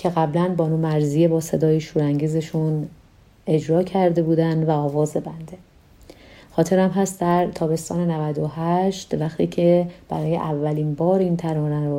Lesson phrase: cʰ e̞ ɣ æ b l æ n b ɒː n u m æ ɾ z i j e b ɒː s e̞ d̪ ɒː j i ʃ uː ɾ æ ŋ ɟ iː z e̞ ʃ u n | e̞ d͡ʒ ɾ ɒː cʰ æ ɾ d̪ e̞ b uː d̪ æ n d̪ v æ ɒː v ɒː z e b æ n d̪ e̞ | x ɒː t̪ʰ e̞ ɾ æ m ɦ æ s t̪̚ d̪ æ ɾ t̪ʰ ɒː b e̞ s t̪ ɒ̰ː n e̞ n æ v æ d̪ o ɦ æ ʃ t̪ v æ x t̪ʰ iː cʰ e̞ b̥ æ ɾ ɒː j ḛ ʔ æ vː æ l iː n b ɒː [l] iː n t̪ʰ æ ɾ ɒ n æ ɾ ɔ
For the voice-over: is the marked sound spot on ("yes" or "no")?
no